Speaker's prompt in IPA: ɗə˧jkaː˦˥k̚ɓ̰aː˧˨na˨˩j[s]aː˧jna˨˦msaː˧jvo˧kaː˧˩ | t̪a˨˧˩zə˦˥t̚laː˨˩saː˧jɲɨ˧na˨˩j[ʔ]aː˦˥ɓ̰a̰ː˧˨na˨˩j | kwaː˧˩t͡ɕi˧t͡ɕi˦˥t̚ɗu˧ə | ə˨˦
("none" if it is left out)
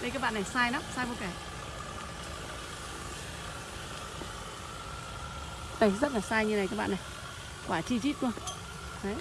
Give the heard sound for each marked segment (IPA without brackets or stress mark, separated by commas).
s, k